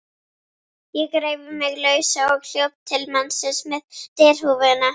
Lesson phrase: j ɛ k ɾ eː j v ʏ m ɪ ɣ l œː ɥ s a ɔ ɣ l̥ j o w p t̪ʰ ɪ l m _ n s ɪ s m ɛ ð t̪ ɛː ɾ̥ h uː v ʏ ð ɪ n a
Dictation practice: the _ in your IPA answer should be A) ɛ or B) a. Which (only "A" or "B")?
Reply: B